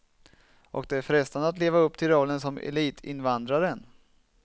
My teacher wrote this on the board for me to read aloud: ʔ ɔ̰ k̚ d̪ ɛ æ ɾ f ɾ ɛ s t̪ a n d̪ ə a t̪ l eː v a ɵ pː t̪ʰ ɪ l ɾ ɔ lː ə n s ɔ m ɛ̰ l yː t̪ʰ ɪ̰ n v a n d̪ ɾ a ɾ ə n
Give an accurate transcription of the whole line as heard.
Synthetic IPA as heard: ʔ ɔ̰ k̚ d̪ ɛ æ ɾ f ɾ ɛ s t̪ a n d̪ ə a t̪ l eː v a ɵ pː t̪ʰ ɪ l ɾ ɔ lː ə n s ɔ m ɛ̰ l iː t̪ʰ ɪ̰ n v a n d̪ ɾ a ɾ ə n